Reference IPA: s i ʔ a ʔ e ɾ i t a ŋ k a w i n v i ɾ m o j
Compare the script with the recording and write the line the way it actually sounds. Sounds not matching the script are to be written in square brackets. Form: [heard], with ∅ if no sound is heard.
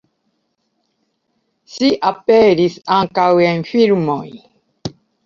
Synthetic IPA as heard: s i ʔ a [p] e ɾ i [s] a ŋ k a w [e] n [f] i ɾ m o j